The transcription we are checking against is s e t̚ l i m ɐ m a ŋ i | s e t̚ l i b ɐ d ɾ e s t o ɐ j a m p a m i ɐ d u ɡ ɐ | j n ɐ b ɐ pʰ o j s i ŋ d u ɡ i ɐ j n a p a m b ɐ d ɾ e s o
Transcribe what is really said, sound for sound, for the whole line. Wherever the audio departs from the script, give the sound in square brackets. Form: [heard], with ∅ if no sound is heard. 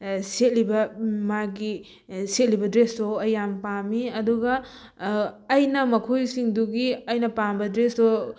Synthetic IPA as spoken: s e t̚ l i [b] ɐ m a [ɡ] i | s e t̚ l i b ɐ d ɾ e s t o ɐ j a m p a m i ɐ d u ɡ ɐ | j n ɐ [m] ɐ [kʰ] o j s i ŋ d u ɡ i ɐ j n [ɐ] p a m b ɐ d ɾ e s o